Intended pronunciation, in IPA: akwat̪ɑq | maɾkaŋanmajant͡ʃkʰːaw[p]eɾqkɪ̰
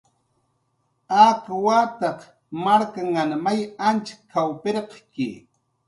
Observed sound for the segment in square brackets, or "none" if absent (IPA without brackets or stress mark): p